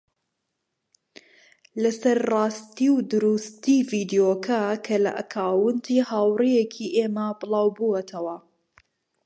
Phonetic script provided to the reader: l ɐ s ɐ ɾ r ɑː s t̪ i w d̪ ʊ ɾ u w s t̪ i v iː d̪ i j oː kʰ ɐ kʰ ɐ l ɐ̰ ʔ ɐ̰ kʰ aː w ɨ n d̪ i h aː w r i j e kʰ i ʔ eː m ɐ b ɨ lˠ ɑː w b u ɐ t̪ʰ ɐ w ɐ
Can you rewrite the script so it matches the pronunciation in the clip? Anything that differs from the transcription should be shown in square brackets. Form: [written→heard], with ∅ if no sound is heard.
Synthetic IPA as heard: l ɐ s ɐ ɾ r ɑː s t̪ i w d̪ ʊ ɾ u [w→∅] s t̪ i v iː d̪ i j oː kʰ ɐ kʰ ɐ l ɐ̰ ʔ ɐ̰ kʰ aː w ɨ n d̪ i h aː w r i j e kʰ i ʔ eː m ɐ b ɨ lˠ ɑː w b u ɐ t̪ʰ ɐ w ɐ